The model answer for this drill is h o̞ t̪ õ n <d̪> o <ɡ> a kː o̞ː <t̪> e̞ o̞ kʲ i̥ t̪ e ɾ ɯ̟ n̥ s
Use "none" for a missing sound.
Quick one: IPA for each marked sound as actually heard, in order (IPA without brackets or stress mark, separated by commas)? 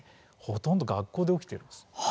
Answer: d̪, ɡ, d̪